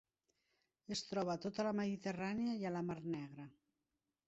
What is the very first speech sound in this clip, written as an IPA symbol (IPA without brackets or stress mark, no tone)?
e